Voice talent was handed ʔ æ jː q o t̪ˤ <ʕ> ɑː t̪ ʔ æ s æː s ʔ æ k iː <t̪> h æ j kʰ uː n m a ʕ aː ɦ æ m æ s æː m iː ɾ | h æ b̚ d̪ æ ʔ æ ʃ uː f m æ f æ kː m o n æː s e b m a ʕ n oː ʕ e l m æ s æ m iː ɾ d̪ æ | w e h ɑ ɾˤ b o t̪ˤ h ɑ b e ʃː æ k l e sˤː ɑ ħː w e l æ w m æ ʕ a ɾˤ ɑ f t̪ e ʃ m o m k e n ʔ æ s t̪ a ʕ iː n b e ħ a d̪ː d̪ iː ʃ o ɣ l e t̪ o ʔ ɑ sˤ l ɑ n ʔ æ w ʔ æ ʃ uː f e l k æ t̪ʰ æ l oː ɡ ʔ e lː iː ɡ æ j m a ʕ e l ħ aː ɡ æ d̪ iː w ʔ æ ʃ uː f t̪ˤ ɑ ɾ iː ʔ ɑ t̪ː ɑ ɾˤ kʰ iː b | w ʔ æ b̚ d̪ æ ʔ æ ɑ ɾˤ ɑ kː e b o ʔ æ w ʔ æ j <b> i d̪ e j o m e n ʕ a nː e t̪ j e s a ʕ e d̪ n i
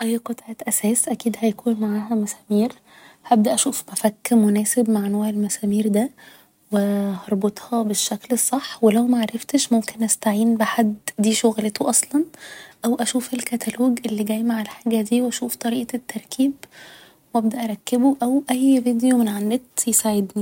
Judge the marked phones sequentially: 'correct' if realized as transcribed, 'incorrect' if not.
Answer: correct, incorrect: d̪, incorrect: v

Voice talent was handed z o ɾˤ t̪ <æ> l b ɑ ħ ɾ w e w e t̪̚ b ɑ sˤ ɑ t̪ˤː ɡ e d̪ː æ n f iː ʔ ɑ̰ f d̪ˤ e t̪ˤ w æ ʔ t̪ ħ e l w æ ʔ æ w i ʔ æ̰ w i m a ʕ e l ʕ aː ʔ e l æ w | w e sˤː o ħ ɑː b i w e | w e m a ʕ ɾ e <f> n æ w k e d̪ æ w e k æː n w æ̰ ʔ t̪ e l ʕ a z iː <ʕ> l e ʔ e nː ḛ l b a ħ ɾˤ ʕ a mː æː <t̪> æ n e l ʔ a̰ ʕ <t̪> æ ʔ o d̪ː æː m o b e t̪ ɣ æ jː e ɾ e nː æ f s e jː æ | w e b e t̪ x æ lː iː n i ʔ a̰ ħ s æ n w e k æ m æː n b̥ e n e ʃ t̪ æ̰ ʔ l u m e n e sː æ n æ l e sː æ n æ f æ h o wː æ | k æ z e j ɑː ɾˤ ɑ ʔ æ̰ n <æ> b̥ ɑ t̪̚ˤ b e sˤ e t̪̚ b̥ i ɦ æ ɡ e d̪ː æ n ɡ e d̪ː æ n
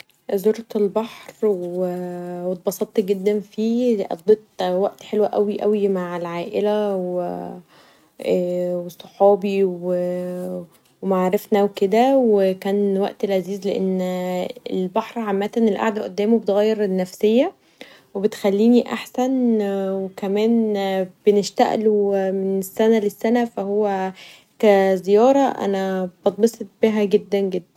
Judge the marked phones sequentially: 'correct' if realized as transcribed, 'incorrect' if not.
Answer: incorrect: e, correct, incorrect: z, correct, incorrect: d̪, correct

